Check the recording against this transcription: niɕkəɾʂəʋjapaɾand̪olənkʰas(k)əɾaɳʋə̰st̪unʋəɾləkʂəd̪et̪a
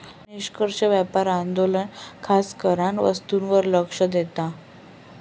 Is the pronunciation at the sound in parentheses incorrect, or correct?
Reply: correct